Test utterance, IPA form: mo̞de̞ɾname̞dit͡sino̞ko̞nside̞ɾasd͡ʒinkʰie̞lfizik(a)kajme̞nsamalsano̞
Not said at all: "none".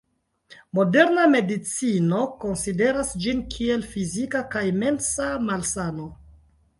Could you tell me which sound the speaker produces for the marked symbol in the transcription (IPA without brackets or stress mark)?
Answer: a